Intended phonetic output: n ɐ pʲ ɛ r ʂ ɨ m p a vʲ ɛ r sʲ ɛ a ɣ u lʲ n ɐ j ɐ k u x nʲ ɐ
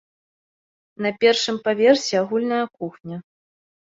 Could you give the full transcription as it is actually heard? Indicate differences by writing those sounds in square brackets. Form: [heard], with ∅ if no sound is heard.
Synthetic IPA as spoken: n ɐ pʲ ɛ r ʂ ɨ m p a vʲ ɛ r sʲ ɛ a ɣ u lʲ n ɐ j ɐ k u x nʲ ɐ